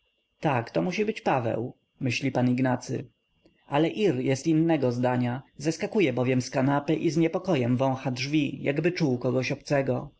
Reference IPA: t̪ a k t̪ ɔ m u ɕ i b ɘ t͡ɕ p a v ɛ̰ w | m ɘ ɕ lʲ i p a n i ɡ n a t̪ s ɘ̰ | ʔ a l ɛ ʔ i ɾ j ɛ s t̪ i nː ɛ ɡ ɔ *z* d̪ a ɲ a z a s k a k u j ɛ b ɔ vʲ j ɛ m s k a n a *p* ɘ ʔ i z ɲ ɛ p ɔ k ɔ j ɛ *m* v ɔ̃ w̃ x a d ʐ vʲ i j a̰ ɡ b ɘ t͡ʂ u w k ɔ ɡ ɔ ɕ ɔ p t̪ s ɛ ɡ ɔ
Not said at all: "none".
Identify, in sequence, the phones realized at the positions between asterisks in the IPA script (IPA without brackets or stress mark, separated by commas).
z, p, m